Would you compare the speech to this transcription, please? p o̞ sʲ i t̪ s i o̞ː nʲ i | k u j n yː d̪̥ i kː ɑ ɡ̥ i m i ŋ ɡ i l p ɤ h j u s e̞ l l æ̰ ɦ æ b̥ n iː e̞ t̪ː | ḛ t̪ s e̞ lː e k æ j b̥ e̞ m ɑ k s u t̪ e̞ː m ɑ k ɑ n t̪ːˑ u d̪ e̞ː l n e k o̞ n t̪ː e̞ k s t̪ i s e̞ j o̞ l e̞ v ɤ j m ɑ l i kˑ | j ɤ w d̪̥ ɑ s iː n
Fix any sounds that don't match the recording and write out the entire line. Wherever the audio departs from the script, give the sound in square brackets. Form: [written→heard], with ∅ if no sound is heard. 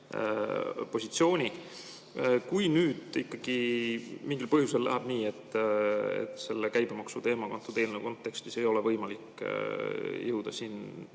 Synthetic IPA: p o̞ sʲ i t̪ s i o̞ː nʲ i | k u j n yː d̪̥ i kː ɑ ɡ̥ i m i ŋ ɡ i l p ɤ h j u s e̞ l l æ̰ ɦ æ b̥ n iː e̞ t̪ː | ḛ t̪ s e̞ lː e k æ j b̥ e̞ m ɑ k s u t̪ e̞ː m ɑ k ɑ n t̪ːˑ u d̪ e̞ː l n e k o̞ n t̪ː e̞ k s t̪ i s e̞ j o̞ l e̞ v ɤ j m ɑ l i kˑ | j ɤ w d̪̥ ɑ s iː n